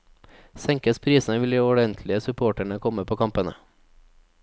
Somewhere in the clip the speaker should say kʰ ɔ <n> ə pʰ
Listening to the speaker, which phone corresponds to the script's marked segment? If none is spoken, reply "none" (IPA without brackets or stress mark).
m